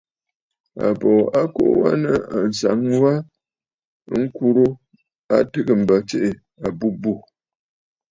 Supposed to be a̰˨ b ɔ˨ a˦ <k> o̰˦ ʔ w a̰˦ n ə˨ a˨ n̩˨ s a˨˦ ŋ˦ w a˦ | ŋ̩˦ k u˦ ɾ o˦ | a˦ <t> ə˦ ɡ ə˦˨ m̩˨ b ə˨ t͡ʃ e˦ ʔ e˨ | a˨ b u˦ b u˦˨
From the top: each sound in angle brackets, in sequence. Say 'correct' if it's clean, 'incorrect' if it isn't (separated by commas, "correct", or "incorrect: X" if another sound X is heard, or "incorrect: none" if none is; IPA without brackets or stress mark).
correct, correct